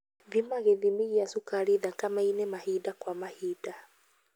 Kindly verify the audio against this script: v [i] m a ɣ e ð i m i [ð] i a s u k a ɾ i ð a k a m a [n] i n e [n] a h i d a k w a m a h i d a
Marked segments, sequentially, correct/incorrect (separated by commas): correct, incorrect, incorrect, incorrect